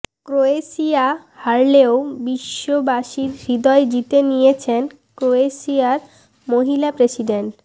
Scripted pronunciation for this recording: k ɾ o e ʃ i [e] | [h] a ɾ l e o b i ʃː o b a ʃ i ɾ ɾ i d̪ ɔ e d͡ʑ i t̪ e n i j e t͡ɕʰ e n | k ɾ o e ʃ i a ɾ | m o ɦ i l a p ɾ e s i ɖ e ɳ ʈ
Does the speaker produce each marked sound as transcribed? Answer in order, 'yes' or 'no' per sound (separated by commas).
no, yes